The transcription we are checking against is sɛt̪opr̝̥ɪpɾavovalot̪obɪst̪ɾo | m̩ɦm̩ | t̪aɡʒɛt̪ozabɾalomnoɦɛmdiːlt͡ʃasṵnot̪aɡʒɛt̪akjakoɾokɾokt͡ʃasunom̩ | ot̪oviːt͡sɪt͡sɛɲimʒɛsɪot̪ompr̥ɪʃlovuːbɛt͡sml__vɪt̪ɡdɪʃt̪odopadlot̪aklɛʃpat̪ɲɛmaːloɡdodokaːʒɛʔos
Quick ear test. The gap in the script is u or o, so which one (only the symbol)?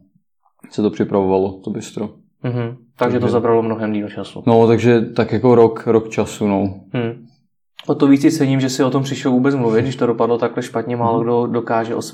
u